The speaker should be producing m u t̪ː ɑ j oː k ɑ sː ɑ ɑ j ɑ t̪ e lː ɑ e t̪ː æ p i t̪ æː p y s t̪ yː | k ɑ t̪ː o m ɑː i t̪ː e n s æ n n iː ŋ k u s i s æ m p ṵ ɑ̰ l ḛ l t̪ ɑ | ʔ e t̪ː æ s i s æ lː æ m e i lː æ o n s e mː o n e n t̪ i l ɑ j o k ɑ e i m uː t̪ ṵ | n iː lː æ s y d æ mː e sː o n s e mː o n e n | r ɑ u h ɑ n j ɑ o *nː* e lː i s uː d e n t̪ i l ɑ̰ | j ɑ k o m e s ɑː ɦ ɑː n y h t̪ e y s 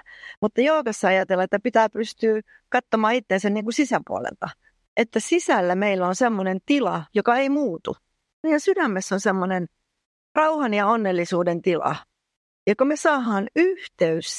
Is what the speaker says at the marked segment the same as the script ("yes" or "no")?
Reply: yes